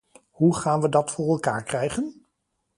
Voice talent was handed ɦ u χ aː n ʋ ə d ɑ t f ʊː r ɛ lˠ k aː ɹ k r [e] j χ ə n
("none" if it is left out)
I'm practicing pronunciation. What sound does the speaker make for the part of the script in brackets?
ɛ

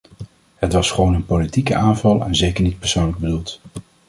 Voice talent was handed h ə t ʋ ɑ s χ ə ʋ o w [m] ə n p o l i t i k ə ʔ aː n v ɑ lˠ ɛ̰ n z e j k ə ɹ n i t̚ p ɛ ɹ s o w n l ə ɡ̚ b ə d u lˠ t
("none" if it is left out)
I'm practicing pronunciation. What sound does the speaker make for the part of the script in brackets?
n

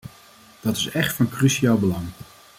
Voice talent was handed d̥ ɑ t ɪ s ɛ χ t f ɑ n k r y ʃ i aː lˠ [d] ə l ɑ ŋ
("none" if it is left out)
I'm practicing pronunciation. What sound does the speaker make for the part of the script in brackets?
b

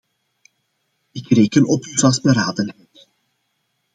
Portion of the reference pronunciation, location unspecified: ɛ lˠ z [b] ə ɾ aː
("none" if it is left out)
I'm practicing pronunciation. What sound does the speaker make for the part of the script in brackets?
b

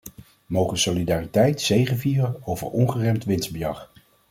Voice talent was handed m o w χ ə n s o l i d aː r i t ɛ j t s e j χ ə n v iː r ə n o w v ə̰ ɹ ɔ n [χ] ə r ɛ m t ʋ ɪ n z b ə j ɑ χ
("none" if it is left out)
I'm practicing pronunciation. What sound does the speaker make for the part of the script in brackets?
χ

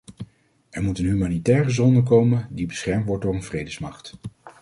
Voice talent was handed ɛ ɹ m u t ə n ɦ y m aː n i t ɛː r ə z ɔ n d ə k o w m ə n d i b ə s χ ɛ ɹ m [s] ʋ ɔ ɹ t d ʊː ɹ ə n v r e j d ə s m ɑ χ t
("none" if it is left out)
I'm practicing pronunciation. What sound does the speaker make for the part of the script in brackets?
t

